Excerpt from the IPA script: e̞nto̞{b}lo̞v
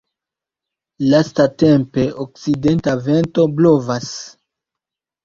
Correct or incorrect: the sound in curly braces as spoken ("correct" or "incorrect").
correct